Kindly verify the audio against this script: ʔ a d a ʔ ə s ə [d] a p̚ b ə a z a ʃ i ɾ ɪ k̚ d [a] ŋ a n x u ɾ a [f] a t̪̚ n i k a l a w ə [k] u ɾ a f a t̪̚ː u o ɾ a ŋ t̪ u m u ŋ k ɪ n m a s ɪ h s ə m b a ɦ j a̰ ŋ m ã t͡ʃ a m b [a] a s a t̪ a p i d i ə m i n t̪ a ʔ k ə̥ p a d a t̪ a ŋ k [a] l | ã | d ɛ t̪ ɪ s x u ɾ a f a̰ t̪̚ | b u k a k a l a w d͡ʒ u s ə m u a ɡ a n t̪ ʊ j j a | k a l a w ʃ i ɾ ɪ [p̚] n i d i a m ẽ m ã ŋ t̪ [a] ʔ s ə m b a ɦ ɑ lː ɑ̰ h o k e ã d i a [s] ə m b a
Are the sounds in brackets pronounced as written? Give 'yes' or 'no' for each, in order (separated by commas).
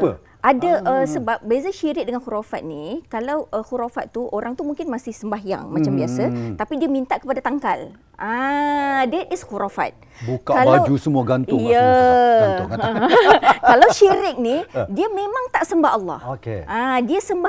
no, no, yes, no, no, yes, no, yes, yes